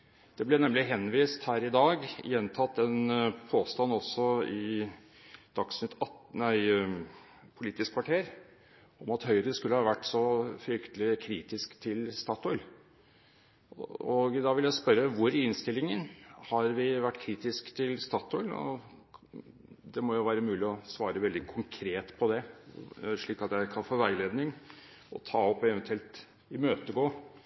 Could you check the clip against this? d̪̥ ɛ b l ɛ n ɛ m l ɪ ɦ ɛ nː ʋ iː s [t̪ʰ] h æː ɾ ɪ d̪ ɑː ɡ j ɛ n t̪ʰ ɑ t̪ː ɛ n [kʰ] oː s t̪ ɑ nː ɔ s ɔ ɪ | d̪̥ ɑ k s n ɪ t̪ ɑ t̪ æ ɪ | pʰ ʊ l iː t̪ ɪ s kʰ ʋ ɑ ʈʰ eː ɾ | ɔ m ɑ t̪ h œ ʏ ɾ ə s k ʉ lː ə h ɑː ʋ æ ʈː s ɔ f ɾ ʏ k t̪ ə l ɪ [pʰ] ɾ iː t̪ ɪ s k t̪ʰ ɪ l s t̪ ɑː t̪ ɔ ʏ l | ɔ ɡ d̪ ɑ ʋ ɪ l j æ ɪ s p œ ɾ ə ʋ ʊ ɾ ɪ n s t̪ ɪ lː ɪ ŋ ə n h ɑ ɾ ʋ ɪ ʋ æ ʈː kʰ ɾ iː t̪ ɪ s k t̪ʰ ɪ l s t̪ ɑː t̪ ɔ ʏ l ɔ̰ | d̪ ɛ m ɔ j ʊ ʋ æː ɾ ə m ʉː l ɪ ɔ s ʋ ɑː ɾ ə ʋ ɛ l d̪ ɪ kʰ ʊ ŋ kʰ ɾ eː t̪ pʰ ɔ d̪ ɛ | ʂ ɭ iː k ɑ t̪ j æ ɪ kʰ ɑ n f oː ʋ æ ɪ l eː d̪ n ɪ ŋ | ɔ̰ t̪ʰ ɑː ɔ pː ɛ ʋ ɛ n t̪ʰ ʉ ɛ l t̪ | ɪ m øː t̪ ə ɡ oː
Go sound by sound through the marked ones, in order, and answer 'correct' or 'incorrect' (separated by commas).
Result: incorrect, incorrect, incorrect